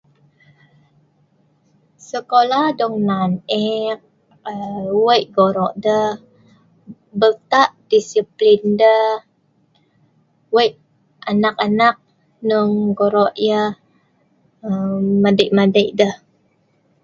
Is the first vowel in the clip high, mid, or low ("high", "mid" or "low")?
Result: mid